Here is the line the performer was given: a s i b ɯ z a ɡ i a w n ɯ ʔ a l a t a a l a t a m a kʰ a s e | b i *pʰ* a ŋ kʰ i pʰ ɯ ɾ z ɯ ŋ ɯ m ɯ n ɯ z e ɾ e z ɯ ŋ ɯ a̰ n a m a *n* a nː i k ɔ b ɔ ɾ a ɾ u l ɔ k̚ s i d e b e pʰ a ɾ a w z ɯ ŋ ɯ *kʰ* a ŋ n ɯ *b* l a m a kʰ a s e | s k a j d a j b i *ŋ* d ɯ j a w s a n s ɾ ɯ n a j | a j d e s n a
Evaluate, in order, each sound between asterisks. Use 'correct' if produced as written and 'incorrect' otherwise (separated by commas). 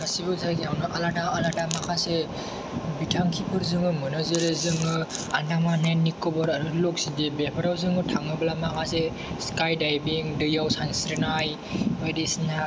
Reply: incorrect, correct, incorrect, correct, correct